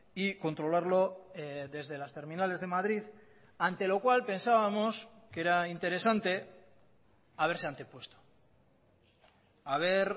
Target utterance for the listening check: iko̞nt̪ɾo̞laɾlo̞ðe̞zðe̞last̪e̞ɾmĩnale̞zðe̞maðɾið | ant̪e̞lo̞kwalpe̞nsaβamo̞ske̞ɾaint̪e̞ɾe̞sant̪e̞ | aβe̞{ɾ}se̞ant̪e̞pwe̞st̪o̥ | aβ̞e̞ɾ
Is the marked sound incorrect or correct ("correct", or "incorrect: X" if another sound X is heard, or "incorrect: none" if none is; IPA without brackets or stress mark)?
correct